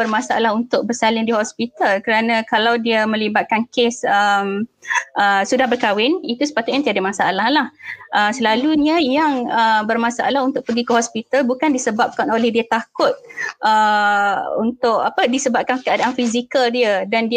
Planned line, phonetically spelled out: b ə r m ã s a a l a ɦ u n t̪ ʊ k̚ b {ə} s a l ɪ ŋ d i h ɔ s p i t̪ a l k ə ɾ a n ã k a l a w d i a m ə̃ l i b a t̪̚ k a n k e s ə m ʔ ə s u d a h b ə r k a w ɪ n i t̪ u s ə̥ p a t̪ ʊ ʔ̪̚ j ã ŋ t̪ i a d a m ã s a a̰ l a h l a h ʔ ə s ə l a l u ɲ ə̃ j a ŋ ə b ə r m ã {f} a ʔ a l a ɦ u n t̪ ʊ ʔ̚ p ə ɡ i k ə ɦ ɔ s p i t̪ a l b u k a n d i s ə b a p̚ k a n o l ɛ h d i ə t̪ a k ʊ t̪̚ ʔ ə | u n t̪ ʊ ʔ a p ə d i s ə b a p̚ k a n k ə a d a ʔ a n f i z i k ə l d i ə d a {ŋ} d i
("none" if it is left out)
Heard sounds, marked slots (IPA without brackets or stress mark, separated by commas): ə, s, n